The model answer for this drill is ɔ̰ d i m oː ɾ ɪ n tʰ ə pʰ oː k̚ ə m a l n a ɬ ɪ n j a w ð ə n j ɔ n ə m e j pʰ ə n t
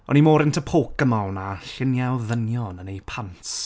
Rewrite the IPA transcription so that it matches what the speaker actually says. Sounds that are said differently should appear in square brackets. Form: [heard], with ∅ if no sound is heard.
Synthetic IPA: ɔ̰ [n] i m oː ɾ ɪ n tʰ ə pʰ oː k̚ ə m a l n a ɬ ɪ n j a w ð ə n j ɔ n ə [n] e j pʰ [a] n t